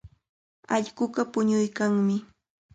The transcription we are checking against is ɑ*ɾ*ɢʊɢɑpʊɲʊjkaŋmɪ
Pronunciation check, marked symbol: incorrect: ʎ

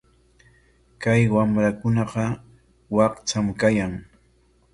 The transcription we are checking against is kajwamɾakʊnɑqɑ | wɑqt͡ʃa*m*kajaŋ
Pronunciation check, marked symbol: correct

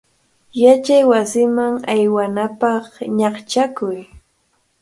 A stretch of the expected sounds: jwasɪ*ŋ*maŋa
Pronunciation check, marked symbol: incorrect: none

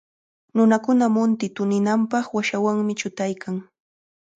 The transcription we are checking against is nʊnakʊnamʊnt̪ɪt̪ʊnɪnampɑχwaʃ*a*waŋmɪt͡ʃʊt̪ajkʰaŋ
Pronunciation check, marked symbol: correct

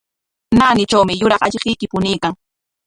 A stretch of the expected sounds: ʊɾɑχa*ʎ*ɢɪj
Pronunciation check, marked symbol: correct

